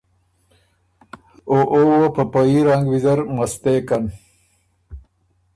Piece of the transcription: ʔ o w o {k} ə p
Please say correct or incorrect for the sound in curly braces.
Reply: incorrect